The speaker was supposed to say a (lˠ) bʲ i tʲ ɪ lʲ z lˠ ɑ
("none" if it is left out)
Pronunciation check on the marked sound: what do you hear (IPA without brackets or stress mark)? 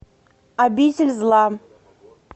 none